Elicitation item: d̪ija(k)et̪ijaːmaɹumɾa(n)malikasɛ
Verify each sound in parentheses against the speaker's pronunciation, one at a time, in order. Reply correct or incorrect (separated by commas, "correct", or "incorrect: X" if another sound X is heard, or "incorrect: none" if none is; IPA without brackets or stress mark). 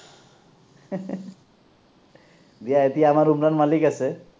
incorrect: none, correct